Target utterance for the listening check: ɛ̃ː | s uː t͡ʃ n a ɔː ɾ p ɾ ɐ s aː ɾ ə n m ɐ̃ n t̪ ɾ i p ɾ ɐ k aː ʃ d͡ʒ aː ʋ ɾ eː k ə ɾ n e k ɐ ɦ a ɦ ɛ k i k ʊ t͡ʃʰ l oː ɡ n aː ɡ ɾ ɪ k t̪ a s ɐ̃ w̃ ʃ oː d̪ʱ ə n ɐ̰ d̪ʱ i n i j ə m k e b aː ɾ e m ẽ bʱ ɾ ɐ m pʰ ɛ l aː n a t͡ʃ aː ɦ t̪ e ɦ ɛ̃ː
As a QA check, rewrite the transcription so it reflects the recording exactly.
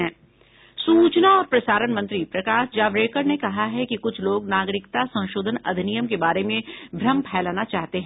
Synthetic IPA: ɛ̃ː | s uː t͡ʃ n a ɔː ɾ p ɾ ɐ s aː ɾ ə n m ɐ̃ n t̪ ɾ i p ɾ ɐ k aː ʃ d͡ʒ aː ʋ ɾ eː k ə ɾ n e k ɐ ɦ a ɦ ɛ k i k ʊ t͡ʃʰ l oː ɡ n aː ɡ ɾ ɪ k t̪ a s ɐ̃ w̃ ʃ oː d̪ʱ ə n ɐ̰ d̪ʱ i n i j ə m k e b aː ɾ e m ẽ bʱ ɾ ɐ m pʰ ɛː l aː n a t͡ʃ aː ɦ t̪ e ɦ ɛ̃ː